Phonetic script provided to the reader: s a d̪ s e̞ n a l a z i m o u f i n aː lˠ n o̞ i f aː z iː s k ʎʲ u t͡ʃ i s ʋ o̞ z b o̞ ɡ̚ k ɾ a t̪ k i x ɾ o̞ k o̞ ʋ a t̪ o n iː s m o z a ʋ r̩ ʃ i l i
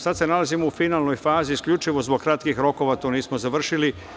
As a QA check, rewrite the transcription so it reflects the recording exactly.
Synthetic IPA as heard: s a d̪ s e̞ n a l a z i m o u f i n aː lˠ n o̞ j f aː z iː s k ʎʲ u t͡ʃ i ʋ o̞ z b o̞ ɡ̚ k ɾ a t̪ k i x ɾ o̞ k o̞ ʋ a t̪ o n iː s m o z a ʋ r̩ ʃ i l i